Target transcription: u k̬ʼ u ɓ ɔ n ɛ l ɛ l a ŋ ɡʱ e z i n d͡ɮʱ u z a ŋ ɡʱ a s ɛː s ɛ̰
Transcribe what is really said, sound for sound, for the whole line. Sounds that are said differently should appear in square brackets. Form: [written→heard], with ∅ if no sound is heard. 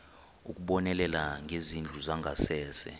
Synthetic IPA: u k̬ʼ u ɓ ɔ n ɛ l ɛ l a ŋ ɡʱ e z i n d͡ɮʱ u z a ŋ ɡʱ a s ɛː s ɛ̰